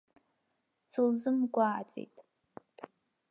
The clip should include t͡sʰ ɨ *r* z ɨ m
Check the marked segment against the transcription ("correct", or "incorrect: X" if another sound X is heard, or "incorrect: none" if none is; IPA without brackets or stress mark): incorrect: l